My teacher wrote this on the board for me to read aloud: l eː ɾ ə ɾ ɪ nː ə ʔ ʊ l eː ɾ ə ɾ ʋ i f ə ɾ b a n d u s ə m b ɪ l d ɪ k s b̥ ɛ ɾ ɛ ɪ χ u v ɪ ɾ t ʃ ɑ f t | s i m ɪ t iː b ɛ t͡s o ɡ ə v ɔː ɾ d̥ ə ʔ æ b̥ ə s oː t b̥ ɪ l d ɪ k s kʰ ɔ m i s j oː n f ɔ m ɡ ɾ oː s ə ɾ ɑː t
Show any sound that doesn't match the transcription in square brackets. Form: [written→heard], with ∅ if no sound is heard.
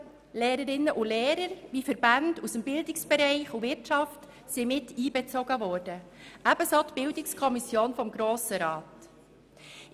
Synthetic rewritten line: l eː ɾ ə ɾ ɪ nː ə ʔ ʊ l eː ɾ ə ɾ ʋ i f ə ɾ b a n d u s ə m b ɪ l d ɪ k s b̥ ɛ ɾ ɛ ɪ χ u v ɪ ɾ t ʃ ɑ f t | s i m ɪ t iː b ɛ t͡s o ɡ ə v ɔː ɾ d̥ ə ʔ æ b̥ ə s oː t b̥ ɪ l d ɪ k s kʰ ɔ m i s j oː n f ɔ m ɡ ɾ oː s ə ɾ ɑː t